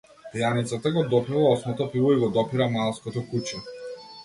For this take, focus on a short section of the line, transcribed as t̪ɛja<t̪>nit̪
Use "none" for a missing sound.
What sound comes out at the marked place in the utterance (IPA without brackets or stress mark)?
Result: none